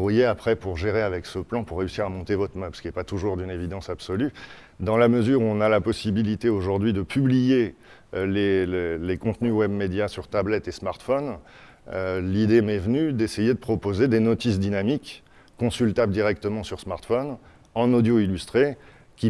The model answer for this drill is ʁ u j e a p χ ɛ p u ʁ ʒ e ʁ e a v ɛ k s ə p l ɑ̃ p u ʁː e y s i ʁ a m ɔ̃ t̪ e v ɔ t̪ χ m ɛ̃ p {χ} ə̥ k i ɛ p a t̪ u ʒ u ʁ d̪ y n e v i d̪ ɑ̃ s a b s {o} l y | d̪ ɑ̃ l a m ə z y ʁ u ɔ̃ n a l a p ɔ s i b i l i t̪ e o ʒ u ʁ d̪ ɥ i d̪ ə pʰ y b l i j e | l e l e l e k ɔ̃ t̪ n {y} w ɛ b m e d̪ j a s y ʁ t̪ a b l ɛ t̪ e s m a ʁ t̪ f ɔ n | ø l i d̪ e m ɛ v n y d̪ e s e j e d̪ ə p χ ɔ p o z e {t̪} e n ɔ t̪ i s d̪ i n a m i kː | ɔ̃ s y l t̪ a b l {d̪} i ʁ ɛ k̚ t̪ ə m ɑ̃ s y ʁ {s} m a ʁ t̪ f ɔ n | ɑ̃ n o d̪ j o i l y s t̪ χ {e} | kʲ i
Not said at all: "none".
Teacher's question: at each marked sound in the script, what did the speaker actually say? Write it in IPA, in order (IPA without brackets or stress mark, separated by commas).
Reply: s, ɔ, y, d̪, d̪, s, e